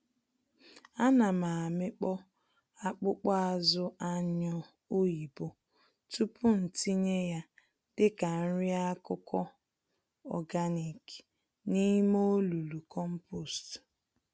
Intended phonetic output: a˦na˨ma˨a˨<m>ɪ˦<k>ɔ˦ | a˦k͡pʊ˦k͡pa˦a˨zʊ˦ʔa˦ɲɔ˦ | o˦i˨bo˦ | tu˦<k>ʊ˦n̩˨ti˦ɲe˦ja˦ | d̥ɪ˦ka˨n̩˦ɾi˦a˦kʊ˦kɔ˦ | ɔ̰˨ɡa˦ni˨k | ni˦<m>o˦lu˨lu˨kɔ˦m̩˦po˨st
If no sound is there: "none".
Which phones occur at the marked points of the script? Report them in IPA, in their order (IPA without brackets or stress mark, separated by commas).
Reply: m, k͡p, p, m